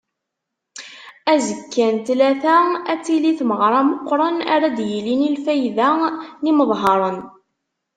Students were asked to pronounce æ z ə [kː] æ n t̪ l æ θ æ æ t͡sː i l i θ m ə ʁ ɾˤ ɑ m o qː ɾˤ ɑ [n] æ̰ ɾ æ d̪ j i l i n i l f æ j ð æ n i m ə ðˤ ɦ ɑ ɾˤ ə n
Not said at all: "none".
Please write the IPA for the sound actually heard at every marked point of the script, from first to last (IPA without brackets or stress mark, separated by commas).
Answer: kː, n